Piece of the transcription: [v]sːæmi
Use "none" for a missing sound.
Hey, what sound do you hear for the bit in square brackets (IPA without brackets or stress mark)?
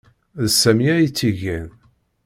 ð